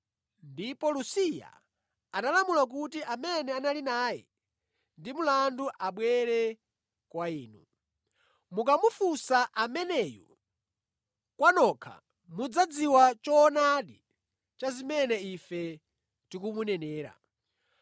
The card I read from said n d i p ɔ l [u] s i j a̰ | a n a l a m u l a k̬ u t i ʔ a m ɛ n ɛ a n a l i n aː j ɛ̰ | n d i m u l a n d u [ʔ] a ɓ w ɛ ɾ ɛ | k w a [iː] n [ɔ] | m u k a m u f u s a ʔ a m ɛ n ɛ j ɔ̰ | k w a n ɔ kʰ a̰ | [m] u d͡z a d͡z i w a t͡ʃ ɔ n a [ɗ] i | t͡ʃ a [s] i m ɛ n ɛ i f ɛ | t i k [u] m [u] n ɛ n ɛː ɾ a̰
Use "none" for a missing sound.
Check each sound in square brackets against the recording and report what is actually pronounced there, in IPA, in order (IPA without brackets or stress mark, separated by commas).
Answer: u, ʔ, iː, u, m, ɗ, z, u, u